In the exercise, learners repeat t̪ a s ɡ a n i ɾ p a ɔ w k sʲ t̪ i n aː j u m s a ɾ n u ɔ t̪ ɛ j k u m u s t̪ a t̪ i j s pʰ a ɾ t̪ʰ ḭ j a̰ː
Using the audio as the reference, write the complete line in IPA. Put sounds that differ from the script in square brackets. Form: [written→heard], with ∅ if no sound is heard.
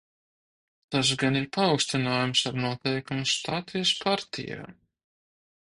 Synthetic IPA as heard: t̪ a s ɡ a n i ɾ p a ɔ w k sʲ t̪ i n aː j u m s a ɾ n u ɔ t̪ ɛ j k u m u s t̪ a t̪ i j s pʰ a ɾ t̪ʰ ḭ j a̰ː